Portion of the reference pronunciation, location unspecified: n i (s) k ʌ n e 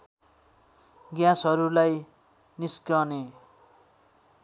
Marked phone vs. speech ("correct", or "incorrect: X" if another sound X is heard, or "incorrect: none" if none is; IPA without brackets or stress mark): correct